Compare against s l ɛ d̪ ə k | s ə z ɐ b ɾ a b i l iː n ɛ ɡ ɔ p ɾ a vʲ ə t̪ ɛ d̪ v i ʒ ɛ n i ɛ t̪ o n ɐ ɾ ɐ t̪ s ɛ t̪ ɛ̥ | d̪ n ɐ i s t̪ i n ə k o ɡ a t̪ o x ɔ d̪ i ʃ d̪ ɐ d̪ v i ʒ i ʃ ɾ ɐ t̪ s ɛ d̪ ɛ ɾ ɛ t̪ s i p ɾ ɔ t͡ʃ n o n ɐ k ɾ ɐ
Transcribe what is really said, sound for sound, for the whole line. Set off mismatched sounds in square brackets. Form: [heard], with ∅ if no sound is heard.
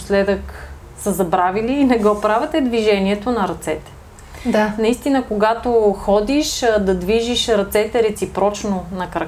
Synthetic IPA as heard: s l ɛ d̪ ə k | s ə z ɐ b ɾ a [v] i l iː n ɛ ɡ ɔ p ɾ a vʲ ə t̪ ɛ d̪ v i ʒ ɛ n i ɛ t̪ o n ɐ ɾ ɐ t̪ s ɛ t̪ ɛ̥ | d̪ n ɐ i s t̪ i n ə k o ɡ a t̪ o x ɔ d̪ i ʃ d̪ ɐ d̪ v i ʒ i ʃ ɾ ɐ t̪ s ɛ [t̪] ɛ ɾ ɛ t̪ s i p ɾ ɔ t͡ʃ n o n ɐ k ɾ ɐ